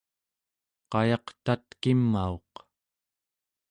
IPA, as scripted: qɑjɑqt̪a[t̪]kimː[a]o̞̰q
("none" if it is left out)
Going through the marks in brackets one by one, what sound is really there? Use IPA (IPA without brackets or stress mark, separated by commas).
t̪, a